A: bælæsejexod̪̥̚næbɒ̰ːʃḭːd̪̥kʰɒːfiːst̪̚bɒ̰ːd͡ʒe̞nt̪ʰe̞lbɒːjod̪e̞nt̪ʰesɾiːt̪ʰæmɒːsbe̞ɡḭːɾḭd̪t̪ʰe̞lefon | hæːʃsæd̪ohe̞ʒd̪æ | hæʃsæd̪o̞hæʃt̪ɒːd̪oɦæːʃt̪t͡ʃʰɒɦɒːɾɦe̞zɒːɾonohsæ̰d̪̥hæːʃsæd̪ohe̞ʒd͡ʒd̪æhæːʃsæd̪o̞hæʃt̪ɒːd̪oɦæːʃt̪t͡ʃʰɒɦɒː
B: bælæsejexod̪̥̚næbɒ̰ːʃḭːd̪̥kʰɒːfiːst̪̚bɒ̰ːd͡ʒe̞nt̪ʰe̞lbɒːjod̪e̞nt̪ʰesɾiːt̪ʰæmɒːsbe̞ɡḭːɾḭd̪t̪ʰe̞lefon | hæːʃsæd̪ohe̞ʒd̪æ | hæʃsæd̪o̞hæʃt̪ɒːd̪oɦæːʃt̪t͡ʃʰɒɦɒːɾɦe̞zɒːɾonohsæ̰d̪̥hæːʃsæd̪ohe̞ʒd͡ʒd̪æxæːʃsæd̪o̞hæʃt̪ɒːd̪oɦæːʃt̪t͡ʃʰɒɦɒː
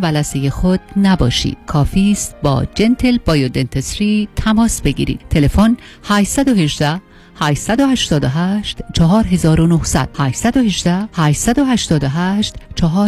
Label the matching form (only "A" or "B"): A